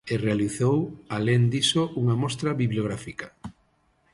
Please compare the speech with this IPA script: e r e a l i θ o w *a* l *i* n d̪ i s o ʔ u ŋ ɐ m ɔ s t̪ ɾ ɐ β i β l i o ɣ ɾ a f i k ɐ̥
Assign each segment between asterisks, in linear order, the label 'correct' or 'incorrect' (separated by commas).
correct, incorrect